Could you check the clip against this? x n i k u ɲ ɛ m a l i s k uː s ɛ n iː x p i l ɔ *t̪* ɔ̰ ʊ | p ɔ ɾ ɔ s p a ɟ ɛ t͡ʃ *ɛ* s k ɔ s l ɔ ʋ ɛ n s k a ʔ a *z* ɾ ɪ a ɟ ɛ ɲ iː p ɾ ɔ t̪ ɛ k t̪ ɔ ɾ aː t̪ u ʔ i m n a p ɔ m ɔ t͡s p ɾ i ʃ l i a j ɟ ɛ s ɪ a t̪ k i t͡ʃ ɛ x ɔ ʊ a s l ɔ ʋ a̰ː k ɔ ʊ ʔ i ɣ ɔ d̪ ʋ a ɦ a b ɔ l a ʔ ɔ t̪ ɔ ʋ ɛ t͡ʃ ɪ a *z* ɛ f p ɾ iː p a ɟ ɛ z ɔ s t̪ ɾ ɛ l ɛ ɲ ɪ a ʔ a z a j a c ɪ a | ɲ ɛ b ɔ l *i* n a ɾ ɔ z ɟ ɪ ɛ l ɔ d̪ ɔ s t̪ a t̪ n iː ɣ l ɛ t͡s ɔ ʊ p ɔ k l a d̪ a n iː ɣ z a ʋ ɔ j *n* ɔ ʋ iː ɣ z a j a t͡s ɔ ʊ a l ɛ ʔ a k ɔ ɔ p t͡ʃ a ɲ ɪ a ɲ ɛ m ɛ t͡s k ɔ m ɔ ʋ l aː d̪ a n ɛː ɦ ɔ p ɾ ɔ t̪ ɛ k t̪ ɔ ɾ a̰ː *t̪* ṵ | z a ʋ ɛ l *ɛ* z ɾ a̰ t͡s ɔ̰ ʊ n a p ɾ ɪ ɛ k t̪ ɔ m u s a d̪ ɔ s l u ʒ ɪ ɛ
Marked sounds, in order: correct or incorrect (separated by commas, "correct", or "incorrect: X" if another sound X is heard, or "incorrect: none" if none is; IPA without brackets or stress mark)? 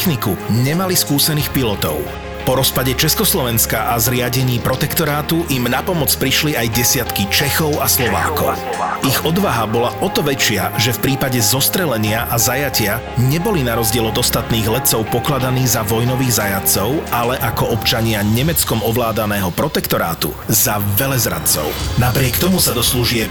correct, correct, correct, incorrect: ʒ, correct, correct, correct, correct